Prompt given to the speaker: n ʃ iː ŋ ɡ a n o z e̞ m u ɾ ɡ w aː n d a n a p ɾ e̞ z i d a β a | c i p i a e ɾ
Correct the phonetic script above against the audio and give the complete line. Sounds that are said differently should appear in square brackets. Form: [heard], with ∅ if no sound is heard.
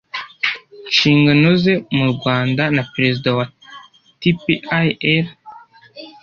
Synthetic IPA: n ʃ iː ŋ ɡ a n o z e̞ m u ɾ ɡ w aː n d a n a p ɾ e̞ z i d a [w] a | [t] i p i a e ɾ